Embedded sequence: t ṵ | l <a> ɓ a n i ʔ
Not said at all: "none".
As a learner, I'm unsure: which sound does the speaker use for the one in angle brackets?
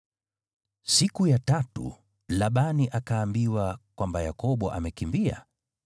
a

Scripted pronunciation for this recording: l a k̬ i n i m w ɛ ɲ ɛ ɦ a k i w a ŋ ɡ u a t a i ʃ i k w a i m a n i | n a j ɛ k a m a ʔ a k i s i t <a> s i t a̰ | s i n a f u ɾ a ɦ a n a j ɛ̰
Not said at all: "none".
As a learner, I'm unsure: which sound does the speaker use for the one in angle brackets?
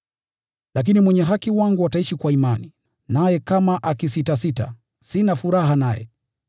a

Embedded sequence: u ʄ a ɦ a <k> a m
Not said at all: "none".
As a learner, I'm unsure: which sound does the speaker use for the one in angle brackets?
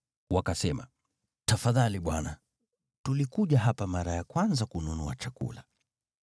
p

